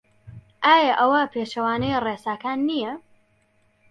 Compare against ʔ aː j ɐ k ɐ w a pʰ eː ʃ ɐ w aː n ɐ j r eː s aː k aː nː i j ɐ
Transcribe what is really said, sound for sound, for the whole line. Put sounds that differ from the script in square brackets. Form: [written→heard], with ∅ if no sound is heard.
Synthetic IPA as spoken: ʔ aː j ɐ [k→ʔ] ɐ w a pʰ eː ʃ ɐ w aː n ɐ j r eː s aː k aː nː i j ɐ